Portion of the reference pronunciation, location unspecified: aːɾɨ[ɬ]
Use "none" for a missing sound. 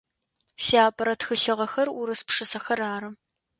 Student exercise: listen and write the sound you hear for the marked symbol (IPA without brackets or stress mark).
none